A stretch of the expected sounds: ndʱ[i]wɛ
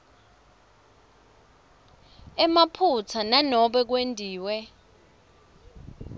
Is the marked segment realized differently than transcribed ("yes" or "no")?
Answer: yes